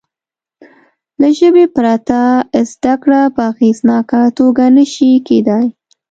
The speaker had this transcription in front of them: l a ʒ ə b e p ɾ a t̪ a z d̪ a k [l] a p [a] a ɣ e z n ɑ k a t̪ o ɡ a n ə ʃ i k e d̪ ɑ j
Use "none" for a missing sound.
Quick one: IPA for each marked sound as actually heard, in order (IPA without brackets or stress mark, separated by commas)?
ɽ, ə